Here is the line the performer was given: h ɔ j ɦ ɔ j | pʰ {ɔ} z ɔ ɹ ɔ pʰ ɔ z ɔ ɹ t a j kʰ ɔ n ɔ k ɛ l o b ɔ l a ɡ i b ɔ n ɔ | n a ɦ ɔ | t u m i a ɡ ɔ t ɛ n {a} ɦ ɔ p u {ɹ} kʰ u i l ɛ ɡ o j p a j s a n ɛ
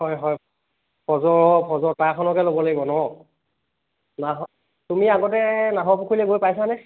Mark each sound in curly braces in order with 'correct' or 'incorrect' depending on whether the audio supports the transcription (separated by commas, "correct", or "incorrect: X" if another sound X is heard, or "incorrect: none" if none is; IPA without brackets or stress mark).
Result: correct, correct, incorrect: none